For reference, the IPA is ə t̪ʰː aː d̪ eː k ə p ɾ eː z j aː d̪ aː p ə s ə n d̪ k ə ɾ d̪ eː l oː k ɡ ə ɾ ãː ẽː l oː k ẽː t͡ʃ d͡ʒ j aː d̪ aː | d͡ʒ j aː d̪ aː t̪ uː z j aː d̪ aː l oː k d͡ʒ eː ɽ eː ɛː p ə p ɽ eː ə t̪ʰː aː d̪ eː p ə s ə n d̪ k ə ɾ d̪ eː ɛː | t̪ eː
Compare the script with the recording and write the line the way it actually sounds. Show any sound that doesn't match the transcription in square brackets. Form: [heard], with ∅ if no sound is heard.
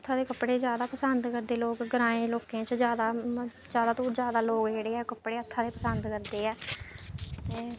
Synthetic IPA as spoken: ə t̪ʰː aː d̪ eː k ə p [ɽ] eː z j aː d̪ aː p ə s ə n d̪ k ə ɾ d̪ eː l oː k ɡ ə ɾ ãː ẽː l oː k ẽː t͡ʃ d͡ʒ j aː d̪ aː | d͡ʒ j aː d̪ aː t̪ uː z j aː d̪ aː l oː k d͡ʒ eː ɽ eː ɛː [k] ə p ɽ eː ə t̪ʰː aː d̪ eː p ə s ə n d̪ k ə ɾ d̪ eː ɛː | t̪ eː